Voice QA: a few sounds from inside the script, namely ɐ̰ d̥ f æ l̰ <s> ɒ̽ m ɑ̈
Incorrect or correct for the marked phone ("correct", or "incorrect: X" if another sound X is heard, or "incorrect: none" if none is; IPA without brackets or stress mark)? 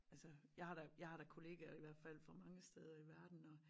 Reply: incorrect: f